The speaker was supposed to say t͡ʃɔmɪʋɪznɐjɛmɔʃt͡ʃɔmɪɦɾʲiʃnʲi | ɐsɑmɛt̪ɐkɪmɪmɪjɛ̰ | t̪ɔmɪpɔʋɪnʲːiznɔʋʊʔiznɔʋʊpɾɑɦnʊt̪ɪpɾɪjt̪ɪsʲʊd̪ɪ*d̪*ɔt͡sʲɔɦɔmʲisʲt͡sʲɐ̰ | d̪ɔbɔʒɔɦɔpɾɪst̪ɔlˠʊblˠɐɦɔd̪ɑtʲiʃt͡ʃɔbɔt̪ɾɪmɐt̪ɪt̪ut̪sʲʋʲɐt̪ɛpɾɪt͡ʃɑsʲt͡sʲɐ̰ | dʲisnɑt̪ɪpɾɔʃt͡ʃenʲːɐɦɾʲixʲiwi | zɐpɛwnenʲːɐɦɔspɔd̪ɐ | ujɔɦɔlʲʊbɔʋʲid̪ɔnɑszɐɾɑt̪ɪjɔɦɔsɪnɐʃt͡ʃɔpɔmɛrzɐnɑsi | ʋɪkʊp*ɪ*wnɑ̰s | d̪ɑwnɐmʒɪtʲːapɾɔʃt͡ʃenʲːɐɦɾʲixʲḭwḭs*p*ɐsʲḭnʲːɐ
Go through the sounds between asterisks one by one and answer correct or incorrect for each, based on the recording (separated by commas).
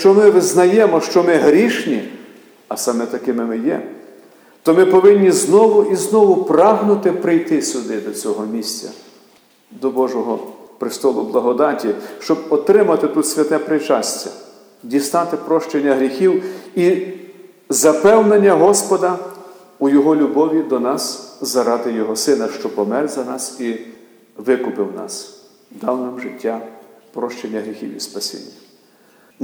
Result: correct, correct, correct